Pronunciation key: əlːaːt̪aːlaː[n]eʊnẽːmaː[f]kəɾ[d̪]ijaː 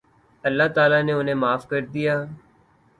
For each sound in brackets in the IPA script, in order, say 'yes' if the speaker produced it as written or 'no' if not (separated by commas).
yes, yes, yes